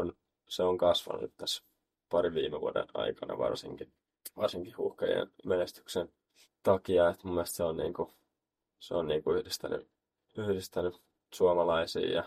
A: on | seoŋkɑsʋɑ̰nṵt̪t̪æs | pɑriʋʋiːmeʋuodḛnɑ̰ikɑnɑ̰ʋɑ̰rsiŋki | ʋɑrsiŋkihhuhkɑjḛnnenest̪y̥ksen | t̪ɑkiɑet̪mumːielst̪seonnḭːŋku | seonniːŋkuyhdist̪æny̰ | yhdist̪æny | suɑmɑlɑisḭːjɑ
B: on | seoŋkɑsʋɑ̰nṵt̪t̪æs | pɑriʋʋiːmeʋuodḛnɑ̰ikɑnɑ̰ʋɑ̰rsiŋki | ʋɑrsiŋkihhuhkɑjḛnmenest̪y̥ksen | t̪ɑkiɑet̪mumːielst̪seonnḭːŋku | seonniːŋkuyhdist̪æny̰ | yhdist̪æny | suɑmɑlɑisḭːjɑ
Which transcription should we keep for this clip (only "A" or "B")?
B